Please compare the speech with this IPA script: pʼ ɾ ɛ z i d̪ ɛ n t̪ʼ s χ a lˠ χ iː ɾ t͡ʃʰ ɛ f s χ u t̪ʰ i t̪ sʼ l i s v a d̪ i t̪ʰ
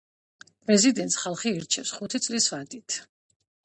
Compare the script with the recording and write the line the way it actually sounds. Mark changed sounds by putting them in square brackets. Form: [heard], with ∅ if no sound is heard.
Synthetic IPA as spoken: pʼ ɾ ɛ z i d̪ ɛ n [t̪] s χ a lˠ χ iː ɾ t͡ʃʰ ɛ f s χ u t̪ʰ i t̪ sʼ l i s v a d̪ i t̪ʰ